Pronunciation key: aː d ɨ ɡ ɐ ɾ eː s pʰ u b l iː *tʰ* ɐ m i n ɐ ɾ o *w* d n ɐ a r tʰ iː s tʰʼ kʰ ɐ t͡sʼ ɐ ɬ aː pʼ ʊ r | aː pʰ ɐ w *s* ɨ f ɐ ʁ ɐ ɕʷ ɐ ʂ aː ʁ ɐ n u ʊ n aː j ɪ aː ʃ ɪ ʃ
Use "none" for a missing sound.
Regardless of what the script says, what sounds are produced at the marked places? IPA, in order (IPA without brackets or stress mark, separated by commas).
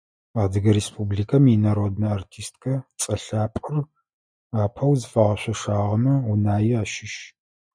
kʰ, none, z